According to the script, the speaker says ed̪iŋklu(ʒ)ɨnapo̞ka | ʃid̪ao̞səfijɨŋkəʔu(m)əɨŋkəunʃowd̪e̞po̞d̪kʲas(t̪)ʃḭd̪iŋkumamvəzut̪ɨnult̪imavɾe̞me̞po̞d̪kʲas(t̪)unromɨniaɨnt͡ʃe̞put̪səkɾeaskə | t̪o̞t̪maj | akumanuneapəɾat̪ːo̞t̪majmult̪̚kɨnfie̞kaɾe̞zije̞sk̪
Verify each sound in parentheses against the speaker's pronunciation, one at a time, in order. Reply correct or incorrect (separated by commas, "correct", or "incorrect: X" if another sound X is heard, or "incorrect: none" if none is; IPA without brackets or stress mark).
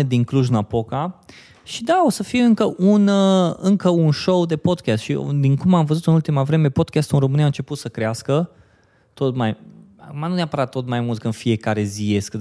correct, incorrect: n, correct, correct